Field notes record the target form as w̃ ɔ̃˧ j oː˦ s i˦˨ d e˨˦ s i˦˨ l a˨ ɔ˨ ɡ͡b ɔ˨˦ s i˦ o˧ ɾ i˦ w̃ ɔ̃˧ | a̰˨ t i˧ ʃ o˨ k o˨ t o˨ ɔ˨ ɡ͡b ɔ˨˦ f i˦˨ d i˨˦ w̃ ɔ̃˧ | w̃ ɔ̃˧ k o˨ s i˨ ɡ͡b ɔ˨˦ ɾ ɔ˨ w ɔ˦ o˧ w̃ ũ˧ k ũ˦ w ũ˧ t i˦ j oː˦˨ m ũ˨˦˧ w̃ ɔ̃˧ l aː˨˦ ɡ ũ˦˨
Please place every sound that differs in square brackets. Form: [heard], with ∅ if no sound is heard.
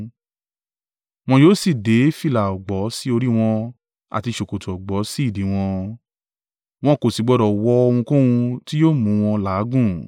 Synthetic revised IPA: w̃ ɔ̃˧ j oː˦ s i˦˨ d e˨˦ [f] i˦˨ l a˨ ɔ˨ ɡ͡b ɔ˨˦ s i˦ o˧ ɾ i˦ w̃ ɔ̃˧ | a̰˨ t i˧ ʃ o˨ k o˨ t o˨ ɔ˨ ɡ͡b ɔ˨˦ [s] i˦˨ d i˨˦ w̃ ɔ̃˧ | w̃ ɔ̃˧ k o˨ s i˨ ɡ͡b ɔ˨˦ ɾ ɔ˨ w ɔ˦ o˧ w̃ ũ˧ k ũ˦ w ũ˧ t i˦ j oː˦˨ m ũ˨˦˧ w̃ ɔ̃˧ l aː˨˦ ɡ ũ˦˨